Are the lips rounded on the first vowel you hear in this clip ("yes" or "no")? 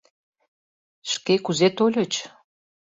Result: no